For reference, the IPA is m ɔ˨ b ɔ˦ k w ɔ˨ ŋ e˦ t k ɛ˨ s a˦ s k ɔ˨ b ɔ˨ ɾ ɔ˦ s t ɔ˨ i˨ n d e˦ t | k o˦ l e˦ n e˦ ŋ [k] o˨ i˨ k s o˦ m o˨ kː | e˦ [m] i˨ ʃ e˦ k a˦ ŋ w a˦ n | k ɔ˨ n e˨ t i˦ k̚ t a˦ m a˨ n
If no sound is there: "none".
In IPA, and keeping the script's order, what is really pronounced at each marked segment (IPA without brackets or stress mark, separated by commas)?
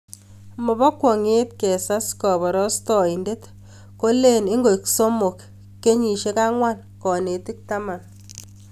ɡ, ɲ